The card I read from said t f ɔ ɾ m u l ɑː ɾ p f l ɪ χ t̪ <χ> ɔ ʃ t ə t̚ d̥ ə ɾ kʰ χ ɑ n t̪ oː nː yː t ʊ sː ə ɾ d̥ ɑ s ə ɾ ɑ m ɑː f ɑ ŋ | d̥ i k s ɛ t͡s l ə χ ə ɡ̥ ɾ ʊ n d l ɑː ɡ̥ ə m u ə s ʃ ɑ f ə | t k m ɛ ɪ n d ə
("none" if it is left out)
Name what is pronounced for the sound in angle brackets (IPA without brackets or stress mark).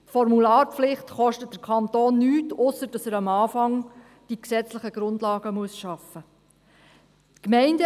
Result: χ